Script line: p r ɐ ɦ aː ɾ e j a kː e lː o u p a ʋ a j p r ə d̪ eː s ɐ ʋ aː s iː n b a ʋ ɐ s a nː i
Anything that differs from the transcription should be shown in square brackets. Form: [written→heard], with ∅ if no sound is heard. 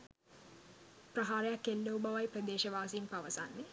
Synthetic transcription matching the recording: p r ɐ ɦ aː ɾ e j a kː e lː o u [p→b] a ʋ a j p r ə d̪ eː [s→ʃ] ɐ ʋ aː s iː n [b→p] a ʋ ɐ s a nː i